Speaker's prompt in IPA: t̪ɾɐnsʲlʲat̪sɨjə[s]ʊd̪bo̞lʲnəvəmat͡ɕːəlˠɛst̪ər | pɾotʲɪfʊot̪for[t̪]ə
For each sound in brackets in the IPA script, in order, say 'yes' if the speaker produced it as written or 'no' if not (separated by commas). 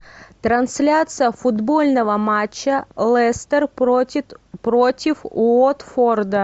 no, no